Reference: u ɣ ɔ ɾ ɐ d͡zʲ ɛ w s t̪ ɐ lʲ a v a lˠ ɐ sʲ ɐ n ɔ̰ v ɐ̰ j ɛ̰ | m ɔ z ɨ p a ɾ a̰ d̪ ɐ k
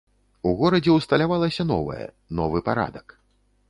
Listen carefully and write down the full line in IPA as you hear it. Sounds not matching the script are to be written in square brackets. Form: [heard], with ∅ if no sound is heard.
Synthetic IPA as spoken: u ɣ ɔ ɾ ɐ d͡zʲ ɛ w s t̪ ɐ lʲ a v a lˠ ɐ sʲ ɐ n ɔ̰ v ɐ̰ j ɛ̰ | [n] ɔ [v] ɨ p a ɾ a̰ d̪ ɐ k